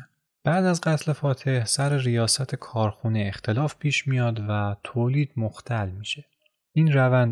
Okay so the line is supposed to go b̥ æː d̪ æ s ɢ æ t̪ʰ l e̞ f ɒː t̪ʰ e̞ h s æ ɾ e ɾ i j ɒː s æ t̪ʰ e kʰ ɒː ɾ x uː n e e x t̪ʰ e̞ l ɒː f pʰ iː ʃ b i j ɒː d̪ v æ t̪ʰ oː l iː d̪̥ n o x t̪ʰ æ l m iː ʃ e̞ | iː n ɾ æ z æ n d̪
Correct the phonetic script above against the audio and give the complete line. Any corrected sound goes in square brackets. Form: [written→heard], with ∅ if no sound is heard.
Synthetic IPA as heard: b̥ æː d̪ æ [s→z] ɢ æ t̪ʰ l e̞ f ɒː t̪ʰ e̞ h s æ ɾ e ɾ i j ɒː s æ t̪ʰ e kʰ ɒː ɾ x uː n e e x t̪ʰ e̞ l ɒː f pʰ iː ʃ [b→m] i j ɒː d̪ v æ t̪ʰ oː l iː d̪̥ [n→m] o x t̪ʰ æ l m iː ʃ e̞ | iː n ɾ æ [z→v] æ n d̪